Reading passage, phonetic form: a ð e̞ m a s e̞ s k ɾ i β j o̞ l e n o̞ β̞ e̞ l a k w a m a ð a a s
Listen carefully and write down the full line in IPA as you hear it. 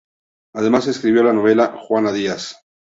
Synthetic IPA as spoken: a ð e̞ m a s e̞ s k ɾ i β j o̞ l a n o̞ β̞ e̞ l a x w a n a ð i a s